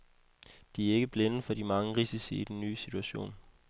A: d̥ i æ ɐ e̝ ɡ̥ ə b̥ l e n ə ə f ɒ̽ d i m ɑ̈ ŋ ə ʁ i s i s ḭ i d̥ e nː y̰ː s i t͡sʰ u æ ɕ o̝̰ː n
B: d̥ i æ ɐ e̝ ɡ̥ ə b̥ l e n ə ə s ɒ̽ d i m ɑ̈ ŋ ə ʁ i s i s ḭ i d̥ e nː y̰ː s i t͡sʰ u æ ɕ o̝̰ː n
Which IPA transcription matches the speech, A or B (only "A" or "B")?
A